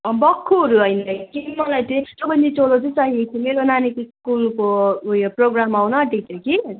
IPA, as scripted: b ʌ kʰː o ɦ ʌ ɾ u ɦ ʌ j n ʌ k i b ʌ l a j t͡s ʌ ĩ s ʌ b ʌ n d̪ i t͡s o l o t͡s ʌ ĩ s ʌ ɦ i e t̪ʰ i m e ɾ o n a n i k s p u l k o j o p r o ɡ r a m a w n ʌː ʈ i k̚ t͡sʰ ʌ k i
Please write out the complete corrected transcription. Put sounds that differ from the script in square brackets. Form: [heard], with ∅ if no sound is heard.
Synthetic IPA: b ʌ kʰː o ɦ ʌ ɾ u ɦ ʌ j n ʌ k i [m] ʌ l a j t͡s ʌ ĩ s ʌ b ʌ n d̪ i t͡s o l o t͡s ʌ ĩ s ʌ ɦ i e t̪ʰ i m e ɾ o n a n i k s [k] u l k o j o p r o ɡ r a m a w n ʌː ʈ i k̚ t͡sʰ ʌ k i